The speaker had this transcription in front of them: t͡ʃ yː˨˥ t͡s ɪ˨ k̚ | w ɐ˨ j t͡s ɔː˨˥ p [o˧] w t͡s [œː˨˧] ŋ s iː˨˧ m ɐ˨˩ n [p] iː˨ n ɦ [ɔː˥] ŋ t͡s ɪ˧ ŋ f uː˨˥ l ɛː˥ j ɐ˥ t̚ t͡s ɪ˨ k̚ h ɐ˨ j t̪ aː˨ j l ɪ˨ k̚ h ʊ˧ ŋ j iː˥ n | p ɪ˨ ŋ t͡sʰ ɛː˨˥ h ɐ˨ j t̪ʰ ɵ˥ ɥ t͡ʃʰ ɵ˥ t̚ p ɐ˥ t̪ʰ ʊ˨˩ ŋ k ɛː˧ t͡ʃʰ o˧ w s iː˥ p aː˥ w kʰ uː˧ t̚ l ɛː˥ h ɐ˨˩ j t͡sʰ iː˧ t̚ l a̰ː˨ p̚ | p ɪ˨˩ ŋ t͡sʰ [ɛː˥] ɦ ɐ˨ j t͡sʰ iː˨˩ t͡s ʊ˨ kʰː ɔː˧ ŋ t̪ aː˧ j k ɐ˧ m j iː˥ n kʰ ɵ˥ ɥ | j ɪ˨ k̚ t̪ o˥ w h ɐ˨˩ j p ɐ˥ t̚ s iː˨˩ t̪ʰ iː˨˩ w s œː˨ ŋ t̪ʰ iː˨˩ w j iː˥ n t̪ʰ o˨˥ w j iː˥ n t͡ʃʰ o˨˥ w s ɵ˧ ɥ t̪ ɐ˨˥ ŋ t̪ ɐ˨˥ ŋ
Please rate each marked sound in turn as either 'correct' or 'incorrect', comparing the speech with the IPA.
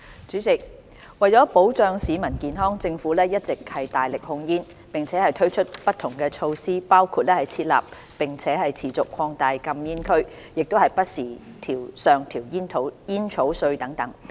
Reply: incorrect, correct, incorrect, correct, incorrect

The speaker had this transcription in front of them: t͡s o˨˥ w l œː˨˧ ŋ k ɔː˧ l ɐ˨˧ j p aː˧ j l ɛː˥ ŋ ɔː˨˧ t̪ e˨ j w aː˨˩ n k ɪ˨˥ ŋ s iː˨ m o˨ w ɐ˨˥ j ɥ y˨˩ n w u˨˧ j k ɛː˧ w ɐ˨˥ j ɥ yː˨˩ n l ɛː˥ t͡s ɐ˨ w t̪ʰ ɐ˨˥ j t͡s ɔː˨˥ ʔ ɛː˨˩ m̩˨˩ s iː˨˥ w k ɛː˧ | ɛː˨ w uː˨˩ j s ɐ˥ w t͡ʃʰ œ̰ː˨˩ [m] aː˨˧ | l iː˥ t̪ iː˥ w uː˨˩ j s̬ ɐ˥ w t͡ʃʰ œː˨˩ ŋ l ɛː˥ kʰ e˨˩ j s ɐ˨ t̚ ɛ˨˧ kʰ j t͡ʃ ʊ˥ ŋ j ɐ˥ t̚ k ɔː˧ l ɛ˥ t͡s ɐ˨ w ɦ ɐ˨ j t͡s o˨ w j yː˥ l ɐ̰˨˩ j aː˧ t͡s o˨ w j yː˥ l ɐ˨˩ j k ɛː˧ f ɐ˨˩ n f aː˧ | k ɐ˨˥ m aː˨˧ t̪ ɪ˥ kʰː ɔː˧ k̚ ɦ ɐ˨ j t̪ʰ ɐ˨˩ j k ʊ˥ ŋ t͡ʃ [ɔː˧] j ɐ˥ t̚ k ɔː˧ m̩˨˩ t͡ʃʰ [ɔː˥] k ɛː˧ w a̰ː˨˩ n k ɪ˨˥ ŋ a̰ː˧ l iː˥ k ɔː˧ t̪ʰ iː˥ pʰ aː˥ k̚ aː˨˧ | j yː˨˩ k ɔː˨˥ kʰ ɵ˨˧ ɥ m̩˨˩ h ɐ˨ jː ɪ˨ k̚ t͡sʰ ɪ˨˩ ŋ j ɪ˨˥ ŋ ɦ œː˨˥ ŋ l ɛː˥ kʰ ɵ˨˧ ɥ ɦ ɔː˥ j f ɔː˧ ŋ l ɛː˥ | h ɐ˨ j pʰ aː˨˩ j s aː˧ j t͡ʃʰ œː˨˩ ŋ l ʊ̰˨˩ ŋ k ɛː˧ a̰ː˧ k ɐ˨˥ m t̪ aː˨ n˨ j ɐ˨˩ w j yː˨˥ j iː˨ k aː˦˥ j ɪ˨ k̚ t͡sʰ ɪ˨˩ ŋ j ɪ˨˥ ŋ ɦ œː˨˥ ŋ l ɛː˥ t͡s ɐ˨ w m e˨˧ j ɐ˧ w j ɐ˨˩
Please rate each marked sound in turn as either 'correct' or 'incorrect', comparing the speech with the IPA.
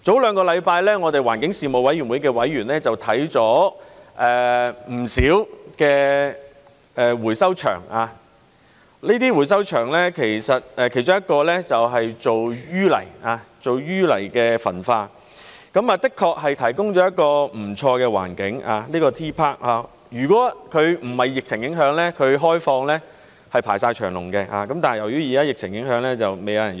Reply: incorrect, incorrect, incorrect

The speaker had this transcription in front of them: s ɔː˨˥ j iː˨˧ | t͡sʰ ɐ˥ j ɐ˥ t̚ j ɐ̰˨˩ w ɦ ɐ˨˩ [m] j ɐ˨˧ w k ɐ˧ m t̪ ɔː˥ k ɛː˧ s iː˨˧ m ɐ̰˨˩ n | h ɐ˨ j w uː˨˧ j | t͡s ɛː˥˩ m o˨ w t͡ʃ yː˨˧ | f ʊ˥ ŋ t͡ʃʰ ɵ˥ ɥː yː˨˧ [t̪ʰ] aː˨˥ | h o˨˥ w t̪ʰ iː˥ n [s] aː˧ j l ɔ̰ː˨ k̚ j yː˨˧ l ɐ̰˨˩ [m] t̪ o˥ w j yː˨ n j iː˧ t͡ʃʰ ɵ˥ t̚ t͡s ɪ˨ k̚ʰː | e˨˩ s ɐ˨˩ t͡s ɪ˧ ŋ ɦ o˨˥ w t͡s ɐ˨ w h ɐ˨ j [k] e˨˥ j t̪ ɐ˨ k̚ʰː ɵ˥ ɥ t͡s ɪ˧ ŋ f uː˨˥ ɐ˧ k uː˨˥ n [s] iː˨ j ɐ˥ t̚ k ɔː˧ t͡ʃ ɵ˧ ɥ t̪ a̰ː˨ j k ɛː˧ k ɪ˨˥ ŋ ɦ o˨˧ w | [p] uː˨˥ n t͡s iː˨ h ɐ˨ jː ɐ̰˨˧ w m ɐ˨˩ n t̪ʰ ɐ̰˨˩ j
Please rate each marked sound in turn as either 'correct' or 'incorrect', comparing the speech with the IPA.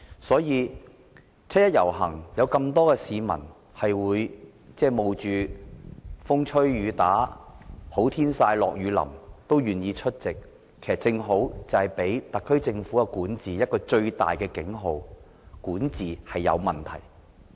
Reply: incorrect, incorrect, correct, correct, incorrect, incorrect, incorrect

